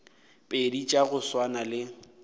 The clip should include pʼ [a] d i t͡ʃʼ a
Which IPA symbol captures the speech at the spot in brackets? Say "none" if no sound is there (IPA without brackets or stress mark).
e